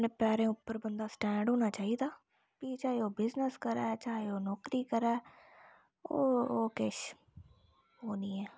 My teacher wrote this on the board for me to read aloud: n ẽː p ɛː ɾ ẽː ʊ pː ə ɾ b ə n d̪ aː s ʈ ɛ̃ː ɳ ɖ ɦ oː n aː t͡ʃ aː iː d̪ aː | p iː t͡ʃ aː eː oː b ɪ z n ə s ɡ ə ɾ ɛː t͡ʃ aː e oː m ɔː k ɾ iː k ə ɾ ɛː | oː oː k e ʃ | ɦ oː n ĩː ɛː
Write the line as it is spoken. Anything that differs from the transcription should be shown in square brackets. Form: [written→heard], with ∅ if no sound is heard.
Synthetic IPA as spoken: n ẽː p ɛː ɾ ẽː ʊ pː ə ɾ b ə n d̪ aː s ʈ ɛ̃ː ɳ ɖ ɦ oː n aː t͡ʃ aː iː d̪ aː | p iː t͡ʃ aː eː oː b ɪ z n ə s [ɡ→k] ə ɾ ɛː t͡ʃ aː e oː [m→n] ɔː k ɾ iː k ə ɾ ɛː | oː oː k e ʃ | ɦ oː n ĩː ɛː